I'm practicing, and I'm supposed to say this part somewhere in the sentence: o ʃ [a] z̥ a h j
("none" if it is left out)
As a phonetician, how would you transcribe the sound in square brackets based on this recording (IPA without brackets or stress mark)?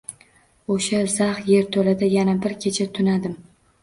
a